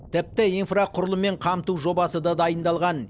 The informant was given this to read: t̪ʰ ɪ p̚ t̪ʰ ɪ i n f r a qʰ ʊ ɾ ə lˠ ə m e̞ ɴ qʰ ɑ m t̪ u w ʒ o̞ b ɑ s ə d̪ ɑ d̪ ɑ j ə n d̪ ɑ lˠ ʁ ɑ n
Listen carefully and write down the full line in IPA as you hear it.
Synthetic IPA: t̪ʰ ɪ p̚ t̪ ɪ i n f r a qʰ ʊ ɾ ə lˠ ə m e̞ ɴ qʰ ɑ m t̪ u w ʒ o̞ b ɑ s ə d̪ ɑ d̪ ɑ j ə n d̪ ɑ lˠ ʁ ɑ n